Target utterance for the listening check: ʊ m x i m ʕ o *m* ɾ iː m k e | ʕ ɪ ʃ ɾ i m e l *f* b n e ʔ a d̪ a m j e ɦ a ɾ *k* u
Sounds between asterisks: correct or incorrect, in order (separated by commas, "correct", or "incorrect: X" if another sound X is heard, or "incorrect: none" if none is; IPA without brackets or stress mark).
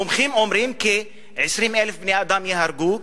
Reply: correct, correct, incorrect: ɡ